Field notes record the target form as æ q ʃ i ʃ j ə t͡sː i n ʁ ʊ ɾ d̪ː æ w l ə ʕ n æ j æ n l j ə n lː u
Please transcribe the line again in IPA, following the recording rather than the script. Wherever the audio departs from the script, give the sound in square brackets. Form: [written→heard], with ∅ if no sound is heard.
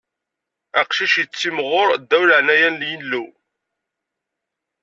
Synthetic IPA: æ q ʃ i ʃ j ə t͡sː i [n→m] ʁ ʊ ɾ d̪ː æ w l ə ʕ n æ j æ n l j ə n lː u